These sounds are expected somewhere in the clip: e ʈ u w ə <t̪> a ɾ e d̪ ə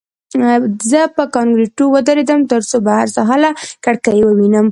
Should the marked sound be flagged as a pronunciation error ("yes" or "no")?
yes